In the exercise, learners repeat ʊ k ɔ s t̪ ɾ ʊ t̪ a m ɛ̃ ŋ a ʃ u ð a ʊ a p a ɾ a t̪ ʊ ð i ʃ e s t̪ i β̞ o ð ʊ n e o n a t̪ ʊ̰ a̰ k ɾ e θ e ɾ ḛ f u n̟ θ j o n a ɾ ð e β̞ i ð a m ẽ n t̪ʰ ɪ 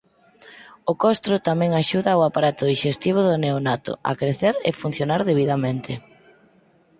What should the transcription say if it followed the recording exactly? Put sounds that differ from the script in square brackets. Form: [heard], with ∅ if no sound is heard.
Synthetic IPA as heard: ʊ k ɔ s t̪ ɾ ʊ t̪ a m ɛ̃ ŋ a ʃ u ð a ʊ a p a ɾ a t̪ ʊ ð i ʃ e s t̪ i β̞ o ð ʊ n e o n a t̪ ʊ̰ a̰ k ɾ e θ e ɾ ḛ f u n̟ θ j o n a ɾ ð e β̞ i ð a m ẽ n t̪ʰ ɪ

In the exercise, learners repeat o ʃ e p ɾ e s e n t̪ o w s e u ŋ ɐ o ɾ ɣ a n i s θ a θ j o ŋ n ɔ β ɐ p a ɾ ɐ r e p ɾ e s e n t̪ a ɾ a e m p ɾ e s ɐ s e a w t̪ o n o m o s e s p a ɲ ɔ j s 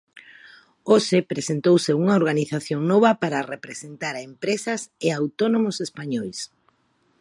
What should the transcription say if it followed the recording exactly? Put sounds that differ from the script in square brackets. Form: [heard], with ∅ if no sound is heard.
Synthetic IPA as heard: o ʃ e p ɾ e s e n t̪ o w s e u ŋ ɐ o ɾ ɣ a n i [∅] θ a θ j o ŋ n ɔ β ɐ p a ɾ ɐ r e p ɾ e s e n t̪ a ɾ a e m p ɾ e s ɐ s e a w t̪ o n o m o s e s p a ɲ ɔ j s

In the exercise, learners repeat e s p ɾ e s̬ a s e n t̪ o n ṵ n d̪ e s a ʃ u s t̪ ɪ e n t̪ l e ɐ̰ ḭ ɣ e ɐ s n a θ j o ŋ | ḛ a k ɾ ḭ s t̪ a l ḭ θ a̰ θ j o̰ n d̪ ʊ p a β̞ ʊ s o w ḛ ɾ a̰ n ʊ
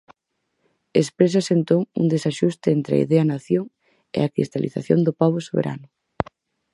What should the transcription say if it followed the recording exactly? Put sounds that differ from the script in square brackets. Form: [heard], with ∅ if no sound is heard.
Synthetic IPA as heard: e s p ɾ e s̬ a s e n t̪ o [ŋ] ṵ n d̪ e s a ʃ u s t̪ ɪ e n t̪ [ɾ] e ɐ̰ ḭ [ð] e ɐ [∅] n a θ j o ŋ | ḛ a k ɾ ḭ s t̪ a l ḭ θ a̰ θ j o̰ n d̪ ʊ p a β̞ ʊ s o [β] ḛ ɾ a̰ n ʊ

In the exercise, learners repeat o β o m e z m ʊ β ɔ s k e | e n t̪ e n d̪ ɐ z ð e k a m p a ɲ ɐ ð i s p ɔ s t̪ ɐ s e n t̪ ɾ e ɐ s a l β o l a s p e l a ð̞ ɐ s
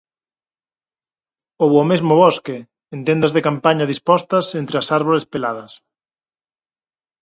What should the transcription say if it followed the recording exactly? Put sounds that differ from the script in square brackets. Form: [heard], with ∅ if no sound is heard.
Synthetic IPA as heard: o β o m e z m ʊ β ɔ s k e | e n t̪ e n d̪ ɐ z ð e k a m p a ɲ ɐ ð i s p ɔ s t̪ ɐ s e n t̪ ɾ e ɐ s a [ɾ] β o l [e] s p e l a ð̞ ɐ s

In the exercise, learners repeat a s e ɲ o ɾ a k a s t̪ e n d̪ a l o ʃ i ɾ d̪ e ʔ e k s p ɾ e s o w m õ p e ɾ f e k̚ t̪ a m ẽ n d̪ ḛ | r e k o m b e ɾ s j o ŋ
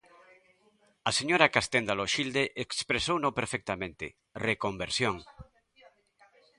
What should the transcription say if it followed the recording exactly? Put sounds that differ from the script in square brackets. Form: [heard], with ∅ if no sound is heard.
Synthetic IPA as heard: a s e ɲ o ɾ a k a s t̪ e n d̪ a l o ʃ i [l] d̪ e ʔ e k s p ɾ e s o w [n] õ p e ɾ f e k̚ t̪ a m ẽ n [t̪] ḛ | r e k o m b e ɾ s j o ŋ

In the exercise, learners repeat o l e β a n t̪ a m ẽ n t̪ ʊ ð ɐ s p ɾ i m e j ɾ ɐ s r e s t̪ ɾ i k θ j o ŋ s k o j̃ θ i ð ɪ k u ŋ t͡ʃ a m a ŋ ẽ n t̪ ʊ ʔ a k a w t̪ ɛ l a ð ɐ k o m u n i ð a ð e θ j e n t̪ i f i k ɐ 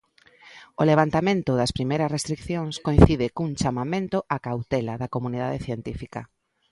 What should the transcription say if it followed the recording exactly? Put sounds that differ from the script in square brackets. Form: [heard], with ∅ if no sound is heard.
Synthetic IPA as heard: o l e β a n t̪ a m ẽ n t̪ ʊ ð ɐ s p ɾ i m e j ɾ ɐ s r e s t̪ ɾ i k θ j o ŋ s k o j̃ θ i ð ɪ k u ŋ t͡ʃ a m a [m] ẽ n t̪ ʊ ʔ a k a w t̪ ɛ l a ð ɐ k o m u n i ð a ð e θ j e n t̪ i f i k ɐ

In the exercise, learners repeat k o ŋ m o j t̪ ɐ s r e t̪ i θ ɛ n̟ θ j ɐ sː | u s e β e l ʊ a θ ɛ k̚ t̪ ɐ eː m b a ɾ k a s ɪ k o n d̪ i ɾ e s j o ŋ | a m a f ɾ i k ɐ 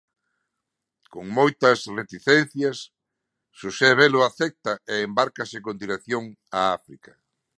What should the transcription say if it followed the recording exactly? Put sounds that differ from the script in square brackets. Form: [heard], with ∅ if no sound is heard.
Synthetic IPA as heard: k o ŋ m o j t̪ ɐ s r e t̪ i θ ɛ n̟ θ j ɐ sː | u s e β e l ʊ a θ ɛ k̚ t̪ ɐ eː m b a ɾ k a s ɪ k o n d̪ i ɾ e [θ] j o ŋ | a [∅] a f ɾ i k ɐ

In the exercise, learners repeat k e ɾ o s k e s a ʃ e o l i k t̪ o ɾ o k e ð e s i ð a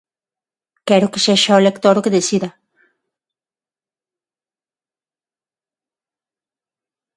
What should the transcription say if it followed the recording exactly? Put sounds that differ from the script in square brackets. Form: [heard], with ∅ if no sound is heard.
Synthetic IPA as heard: k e ɾ o [∅] k e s [e] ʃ [a] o l [e] k t̪ o ɾ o k e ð e s i ð a

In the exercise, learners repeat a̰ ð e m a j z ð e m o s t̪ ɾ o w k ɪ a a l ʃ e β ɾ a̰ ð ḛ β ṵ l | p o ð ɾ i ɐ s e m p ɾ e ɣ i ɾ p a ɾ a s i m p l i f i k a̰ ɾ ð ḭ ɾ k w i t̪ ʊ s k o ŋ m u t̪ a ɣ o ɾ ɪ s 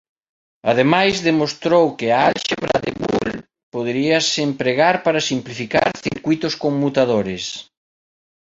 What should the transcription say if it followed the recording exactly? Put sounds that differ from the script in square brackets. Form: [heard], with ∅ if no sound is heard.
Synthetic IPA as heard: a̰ ð e m a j z ð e m o s t̪ ɾ o w k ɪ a a l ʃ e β ɾ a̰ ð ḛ β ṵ l | p o ð ɾ i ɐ s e m p ɾ e ɣ [a] ɾ p a ɾ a s i m p l i f i k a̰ ɾ [θ] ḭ ɾ k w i t̪ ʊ s k o ŋ m u t̪ a [ð] o ɾ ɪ s

